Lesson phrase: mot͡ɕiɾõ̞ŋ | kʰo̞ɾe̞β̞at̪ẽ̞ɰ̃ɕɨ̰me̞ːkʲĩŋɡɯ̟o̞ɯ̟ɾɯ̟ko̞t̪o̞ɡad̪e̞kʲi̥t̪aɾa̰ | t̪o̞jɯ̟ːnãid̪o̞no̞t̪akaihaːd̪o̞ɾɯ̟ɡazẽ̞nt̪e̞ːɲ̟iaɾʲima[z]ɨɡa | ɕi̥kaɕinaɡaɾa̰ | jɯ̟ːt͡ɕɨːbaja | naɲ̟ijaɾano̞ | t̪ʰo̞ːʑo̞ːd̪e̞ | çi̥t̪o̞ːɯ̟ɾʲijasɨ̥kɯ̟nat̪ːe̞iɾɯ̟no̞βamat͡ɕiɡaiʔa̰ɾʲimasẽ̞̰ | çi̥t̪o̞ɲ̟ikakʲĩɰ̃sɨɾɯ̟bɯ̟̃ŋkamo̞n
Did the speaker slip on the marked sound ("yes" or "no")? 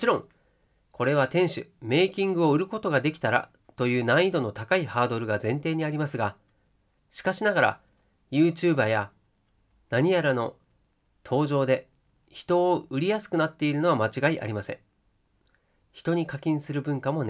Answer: yes